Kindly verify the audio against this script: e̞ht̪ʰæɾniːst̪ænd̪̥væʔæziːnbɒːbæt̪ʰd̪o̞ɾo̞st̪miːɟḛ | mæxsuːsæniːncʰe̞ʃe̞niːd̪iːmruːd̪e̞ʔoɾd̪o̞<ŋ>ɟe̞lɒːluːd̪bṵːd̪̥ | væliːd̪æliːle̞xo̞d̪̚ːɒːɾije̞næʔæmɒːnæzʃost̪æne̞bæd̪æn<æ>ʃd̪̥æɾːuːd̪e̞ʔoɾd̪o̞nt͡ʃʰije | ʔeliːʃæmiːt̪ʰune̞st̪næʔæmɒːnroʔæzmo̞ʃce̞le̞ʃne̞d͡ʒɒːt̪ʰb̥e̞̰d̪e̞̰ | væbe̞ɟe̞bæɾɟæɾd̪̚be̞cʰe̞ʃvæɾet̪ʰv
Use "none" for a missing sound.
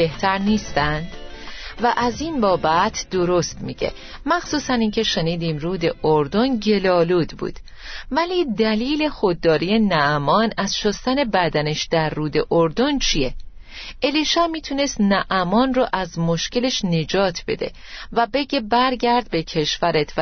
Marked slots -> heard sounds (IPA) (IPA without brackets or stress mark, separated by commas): n, e